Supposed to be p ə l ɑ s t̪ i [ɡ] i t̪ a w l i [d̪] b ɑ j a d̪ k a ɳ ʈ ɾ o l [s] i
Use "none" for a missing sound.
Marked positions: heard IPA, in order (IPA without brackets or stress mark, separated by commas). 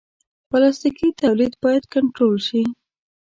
k, d̪, ʃ